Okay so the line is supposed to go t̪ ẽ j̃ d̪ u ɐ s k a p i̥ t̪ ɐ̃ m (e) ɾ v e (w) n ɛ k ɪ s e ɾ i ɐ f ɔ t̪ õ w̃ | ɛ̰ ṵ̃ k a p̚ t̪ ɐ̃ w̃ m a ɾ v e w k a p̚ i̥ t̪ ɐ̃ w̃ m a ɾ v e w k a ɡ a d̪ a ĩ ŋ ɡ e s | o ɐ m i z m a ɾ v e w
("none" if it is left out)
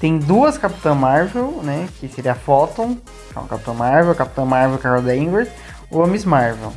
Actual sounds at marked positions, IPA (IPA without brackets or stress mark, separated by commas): a, w